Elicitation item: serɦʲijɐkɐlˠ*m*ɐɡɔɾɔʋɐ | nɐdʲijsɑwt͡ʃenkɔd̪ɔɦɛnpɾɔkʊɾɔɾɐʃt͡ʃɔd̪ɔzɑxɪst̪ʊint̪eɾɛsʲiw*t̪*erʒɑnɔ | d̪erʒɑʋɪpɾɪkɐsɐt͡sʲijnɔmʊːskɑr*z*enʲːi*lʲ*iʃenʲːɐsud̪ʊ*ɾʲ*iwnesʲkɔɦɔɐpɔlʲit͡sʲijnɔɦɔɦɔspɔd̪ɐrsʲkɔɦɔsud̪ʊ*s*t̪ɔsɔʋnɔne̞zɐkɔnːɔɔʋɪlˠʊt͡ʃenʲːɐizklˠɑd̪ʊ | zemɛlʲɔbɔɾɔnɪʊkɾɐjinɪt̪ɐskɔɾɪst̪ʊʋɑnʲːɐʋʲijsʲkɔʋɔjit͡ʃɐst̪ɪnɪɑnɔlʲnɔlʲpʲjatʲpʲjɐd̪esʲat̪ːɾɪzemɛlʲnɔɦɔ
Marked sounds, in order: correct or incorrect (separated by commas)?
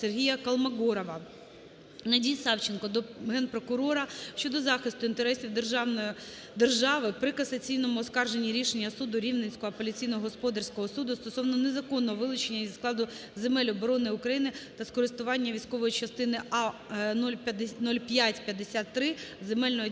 correct, incorrect, incorrect, incorrect, correct, correct